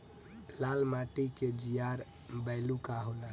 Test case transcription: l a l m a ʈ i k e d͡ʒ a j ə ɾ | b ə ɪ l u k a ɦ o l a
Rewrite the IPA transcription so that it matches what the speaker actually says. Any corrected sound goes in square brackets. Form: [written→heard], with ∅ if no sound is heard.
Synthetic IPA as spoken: l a l m a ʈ i k e d͡ʒ [a→i] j [ə→a] ɾ | b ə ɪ l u k a ɦ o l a